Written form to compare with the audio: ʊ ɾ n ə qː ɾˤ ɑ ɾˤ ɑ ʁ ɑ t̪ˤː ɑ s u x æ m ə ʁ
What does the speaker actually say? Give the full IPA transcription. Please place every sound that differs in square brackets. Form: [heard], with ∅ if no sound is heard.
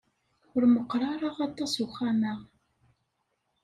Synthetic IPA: ʊ ɾ [m] ə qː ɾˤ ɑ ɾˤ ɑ ʁ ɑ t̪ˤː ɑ s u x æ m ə ʁ